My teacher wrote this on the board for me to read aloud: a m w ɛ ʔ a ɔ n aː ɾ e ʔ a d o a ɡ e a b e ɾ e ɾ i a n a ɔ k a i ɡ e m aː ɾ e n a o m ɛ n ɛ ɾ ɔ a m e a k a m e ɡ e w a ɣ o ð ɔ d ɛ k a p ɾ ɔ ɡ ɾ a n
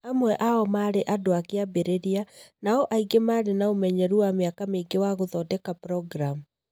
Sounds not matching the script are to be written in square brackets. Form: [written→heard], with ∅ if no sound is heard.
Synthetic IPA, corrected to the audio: a m w ɛ ʔ a ɔ [n→m] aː ɾ e ʔ a d o a [ɡ→k] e a b e ɾ e ɾ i a n a ɔ [k→ʔ] a i ɡ e m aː ɾ e n a o m ɛ [n→ɲ] ɛ ɾ [ɔ→u] a m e a k a m e ɡ e w a ɣ o ð ɔ d ɛ k a p ɾ ɔ ɡ ɾ a [n→m]